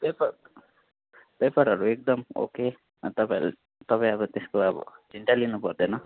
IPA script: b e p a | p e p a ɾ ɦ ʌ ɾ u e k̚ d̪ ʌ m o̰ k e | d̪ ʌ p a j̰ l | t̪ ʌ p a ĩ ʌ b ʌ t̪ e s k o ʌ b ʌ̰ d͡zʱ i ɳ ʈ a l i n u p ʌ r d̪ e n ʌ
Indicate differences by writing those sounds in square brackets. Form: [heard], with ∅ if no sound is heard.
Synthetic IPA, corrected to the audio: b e p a | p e p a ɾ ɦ ʌ ɾ u e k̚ d̪ ʌ m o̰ k e | [t̪] ʌ p a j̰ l | t̪ ʌ p a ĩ ʌ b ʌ t̪ e s k o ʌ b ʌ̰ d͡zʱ i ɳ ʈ a l i n u p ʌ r d̪ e n ʌ

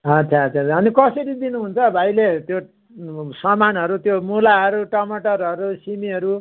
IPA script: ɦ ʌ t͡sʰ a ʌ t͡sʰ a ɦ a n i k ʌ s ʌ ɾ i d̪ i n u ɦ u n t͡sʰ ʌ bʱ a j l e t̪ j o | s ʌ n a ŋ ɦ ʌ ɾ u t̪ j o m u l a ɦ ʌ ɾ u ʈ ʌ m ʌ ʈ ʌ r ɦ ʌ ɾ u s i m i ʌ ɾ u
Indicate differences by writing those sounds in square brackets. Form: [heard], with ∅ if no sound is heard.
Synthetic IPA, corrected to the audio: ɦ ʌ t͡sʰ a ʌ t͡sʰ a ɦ [ʌ] n i k ʌ s ʌ ɾ i d̪ i n u ɦ u n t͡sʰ ʌ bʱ a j l e t̪ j o | s ʌ [m] a [n] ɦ ʌ ɾ u t̪ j o m u l a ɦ ʌ ɾ u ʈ ʌ m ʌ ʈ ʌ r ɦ ʌ ɾ u s i m i ʌ ɾ u

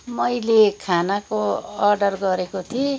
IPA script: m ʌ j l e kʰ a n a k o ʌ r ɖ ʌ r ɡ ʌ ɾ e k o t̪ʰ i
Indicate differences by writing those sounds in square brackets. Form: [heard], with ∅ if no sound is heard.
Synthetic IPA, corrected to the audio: m ʌ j l e kʰ a n a k o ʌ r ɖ ʌ r ɡ ʌ ɾ e k o t̪ʰ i

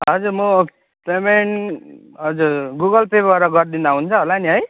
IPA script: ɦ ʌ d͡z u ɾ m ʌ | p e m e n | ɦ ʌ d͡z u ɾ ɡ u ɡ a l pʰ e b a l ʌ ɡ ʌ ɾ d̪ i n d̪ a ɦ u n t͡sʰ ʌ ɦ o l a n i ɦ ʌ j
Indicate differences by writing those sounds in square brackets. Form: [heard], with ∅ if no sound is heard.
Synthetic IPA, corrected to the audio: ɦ ʌ d͡z u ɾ m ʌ | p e m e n | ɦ ʌ d͡z u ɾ ɡ u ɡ [ʌ] l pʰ e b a [ɾ] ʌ ɡ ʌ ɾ d̪ i n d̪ a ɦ u n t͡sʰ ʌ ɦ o l a n i ɦ ʌ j

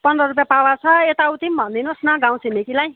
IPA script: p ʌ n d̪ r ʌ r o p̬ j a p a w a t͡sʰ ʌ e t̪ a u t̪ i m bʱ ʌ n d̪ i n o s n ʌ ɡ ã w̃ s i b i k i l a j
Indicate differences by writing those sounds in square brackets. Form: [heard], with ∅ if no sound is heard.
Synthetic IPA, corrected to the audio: p ʌ n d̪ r ʌ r [u] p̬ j a p a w a t͡sʰ ʌ e t̪ a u t̪ i m bʱ ʌ n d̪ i n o s n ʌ ɡ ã w̃ s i [m] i k i l a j

